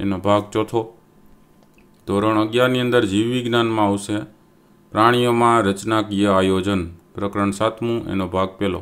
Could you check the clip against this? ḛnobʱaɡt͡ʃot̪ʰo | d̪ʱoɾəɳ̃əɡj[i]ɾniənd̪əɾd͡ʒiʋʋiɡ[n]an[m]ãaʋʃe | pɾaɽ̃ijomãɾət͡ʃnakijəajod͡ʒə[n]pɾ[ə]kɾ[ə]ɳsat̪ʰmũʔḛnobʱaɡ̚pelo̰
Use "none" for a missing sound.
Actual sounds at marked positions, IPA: a, n, m, n, ə, ə

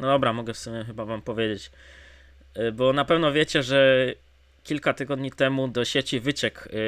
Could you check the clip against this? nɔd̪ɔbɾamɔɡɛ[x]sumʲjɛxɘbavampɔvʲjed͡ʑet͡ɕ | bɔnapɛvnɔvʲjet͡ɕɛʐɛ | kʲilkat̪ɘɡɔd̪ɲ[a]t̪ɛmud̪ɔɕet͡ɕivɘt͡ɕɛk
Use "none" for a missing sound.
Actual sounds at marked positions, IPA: f, i

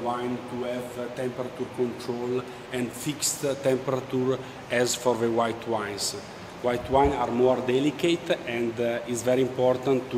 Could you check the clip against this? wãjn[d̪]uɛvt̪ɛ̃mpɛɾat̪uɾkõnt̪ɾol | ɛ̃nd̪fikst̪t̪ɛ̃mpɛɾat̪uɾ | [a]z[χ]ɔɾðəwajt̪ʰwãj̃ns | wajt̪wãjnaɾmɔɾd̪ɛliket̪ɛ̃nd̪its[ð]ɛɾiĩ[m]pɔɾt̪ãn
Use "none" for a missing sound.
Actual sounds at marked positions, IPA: t̪, ɛ, f, v, m

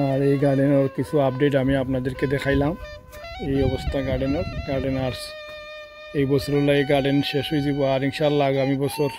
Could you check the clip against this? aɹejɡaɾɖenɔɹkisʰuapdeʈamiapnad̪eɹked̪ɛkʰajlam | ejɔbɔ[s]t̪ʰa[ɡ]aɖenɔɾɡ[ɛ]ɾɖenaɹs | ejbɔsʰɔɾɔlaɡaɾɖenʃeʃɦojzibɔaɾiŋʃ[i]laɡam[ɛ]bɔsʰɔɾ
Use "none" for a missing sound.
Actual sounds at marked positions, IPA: s, ɡ, a, a, i

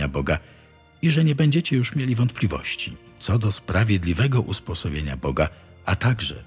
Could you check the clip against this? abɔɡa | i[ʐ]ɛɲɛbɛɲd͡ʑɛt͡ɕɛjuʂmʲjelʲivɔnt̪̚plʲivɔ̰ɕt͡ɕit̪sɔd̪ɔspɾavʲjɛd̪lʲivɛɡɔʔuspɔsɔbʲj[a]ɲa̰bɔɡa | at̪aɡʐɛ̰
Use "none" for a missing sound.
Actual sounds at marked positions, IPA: ʐ, e

